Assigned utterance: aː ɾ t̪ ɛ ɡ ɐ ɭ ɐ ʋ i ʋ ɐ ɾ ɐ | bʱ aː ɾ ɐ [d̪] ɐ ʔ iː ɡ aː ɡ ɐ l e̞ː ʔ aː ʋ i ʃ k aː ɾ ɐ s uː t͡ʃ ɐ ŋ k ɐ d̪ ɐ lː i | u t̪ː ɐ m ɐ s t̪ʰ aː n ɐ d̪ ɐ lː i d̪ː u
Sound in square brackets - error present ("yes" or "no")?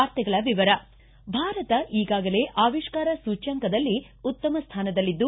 yes